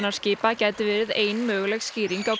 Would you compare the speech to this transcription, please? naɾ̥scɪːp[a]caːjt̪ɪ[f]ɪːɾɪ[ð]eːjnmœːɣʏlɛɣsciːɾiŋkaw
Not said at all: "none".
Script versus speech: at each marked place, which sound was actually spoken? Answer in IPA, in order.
a, v, ð

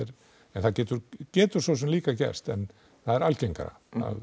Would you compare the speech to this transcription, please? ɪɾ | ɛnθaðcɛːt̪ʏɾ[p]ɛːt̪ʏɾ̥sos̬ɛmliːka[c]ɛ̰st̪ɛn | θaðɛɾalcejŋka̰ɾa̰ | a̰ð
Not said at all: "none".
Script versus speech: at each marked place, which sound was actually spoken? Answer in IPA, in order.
c, c

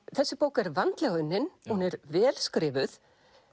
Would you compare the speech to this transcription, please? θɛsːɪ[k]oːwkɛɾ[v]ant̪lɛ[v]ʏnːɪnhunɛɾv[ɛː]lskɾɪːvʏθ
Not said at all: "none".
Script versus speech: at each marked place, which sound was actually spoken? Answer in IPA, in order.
p, v, ɣ, ɛː

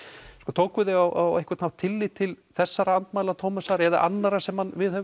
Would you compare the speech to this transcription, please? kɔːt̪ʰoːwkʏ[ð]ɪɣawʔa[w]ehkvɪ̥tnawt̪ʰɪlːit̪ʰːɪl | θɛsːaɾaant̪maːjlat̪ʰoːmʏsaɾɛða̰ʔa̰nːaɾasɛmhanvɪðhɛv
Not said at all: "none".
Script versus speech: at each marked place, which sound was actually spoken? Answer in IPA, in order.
ð, w

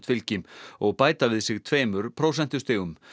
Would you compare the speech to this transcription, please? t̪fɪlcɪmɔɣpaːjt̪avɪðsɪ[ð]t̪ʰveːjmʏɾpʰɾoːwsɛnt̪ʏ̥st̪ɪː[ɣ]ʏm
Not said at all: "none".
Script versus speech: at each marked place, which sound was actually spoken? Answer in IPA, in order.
ɣ, ɣ

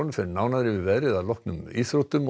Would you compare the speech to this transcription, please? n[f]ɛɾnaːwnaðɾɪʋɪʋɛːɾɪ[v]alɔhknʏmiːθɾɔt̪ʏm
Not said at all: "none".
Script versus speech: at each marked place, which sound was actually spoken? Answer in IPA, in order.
f, ð

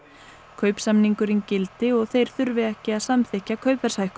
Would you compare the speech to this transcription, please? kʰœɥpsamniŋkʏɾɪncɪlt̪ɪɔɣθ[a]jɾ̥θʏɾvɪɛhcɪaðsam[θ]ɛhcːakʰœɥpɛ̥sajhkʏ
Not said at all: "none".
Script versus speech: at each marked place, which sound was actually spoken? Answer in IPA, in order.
e, θ

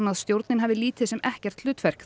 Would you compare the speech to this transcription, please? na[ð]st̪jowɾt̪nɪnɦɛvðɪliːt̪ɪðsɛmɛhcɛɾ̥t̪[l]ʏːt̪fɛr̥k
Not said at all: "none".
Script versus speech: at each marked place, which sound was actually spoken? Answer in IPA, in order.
ð, l

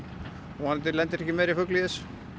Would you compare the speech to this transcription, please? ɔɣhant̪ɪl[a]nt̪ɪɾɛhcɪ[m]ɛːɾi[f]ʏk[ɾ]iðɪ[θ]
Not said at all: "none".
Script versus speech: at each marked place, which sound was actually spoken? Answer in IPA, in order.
ɛ, m, f, l, s

